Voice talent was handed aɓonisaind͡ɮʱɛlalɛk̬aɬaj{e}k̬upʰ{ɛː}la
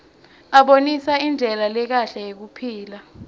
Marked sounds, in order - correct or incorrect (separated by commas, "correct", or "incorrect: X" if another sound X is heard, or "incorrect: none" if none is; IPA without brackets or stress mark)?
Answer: correct, incorrect: iː